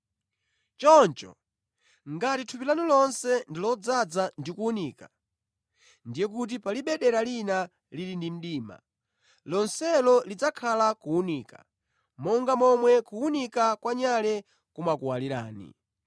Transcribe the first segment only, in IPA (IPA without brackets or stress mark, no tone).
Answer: t͡ʃ